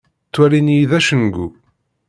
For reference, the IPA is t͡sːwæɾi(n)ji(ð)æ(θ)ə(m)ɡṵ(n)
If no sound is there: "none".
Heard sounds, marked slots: n, ð, ʃ, n, none

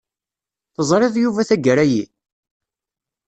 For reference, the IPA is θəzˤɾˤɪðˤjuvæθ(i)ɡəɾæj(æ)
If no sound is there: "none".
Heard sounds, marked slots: æ, i

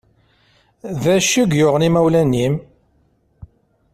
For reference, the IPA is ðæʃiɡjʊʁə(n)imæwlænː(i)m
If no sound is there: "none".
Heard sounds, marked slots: n, i

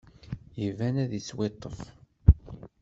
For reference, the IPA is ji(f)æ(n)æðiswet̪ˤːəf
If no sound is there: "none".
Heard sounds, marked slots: v, n

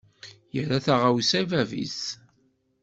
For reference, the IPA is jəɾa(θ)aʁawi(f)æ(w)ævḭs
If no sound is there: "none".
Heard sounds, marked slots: θ, s, v

